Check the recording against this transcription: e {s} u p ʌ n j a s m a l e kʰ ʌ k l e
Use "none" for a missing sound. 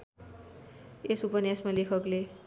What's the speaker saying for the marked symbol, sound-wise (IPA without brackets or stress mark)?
s